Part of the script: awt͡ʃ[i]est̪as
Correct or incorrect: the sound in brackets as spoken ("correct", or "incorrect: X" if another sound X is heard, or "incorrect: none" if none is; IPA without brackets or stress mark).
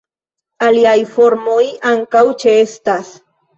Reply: incorrect: e